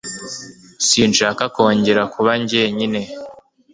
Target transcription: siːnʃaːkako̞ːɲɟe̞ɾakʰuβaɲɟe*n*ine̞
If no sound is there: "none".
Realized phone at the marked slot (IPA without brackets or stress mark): ɲ